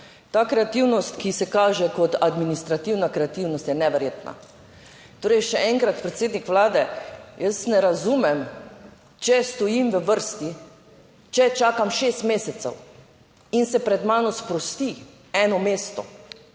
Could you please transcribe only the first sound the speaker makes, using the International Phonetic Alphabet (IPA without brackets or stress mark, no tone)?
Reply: t̪